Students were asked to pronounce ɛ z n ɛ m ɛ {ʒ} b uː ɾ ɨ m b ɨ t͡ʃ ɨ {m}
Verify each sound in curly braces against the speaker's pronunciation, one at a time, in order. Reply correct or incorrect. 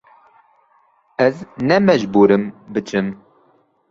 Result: correct, correct

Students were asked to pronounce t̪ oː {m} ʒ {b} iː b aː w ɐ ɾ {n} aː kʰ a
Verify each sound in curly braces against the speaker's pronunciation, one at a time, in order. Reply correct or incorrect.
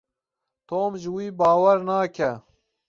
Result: correct, incorrect: w, correct

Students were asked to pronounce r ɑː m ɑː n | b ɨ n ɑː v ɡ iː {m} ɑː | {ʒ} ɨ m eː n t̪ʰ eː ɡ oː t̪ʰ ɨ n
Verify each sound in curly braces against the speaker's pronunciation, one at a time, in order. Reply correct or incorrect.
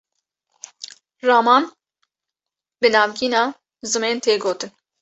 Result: incorrect: n, incorrect: z

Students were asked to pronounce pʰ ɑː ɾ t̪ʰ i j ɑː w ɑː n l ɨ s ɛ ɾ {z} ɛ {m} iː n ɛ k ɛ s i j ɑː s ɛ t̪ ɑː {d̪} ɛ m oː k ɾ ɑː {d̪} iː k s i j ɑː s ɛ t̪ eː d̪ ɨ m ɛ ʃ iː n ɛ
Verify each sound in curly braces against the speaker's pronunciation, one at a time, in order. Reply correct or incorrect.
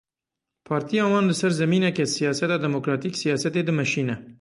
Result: correct, correct, correct, incorrect: t̪

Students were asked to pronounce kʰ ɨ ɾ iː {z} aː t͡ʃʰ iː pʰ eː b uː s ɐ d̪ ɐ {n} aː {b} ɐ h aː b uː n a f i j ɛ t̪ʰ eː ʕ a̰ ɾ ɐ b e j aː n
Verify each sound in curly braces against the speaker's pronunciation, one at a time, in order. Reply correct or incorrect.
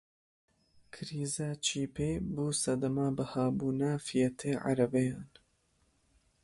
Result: correct, incorrect: m, correct

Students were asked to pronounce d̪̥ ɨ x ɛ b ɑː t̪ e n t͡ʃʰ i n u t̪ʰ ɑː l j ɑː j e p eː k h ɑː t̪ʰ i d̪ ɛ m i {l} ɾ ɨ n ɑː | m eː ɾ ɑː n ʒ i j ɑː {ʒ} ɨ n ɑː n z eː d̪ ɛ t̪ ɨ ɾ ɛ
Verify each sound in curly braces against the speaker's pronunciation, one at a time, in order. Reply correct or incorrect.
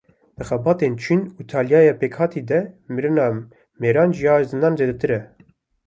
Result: incorrect: none, incorrect: z

